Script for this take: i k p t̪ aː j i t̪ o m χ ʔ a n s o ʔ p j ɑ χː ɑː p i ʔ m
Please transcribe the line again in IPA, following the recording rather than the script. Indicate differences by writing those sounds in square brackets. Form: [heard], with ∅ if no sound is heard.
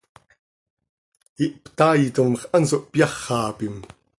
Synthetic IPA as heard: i [ʔ] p t̪ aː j i t̪ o m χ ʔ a n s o ʔ p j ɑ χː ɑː p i [∅] m